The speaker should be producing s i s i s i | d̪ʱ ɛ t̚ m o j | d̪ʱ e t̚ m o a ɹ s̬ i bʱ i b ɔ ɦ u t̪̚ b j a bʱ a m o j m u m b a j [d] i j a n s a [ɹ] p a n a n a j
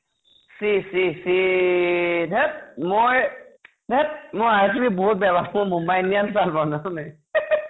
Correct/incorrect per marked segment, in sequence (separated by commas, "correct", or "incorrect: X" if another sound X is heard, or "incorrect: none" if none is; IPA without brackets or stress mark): incorrect: n, incorrect: l